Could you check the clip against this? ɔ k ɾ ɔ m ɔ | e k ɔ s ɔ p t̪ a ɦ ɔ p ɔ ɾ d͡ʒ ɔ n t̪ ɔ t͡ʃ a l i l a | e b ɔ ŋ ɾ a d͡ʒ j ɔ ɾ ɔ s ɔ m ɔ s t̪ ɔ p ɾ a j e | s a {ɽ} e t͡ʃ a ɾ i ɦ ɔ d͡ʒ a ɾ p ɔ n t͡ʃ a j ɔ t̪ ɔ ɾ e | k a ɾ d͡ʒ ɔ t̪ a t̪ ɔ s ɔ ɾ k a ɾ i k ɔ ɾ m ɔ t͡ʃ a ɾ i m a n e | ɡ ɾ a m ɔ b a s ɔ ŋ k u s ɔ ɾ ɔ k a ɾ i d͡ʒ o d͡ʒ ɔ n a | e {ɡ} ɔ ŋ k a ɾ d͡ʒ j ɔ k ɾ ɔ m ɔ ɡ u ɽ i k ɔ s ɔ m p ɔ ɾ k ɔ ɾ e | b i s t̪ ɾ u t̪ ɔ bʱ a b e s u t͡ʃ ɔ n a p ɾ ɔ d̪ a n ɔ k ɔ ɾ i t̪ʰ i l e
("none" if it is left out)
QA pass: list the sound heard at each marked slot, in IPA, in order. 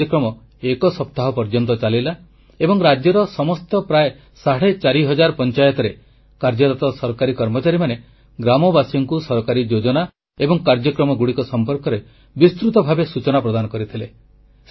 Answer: ɽ, b

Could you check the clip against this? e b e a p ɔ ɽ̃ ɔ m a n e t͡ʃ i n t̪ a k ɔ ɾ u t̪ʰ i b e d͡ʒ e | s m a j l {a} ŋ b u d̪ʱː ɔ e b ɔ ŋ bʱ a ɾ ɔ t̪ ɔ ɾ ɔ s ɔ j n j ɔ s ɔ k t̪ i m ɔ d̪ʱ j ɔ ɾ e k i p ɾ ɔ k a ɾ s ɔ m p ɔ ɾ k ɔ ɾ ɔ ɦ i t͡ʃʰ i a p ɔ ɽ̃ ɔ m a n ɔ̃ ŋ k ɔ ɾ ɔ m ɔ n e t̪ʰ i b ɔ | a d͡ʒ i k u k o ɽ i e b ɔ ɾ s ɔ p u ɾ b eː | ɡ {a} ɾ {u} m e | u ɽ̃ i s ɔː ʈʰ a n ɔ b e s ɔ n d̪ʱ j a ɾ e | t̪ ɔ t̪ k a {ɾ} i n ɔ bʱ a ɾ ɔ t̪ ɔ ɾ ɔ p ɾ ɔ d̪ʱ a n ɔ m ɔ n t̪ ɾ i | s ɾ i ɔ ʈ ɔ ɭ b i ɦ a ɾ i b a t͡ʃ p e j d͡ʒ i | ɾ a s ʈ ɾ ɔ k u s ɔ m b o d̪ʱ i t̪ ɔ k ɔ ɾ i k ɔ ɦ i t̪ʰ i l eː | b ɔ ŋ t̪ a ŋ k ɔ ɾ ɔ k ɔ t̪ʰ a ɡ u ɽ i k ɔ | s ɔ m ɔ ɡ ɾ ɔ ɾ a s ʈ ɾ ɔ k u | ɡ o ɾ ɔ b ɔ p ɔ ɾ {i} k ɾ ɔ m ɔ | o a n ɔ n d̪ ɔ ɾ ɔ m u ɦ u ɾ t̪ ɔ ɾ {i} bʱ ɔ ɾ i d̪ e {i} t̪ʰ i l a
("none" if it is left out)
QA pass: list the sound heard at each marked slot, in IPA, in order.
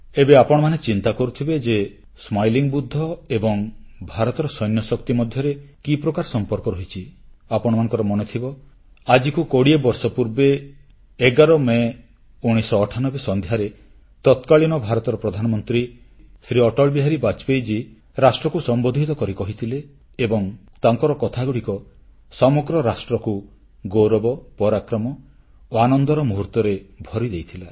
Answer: i, a, ɔ, ɭ, a, e, j

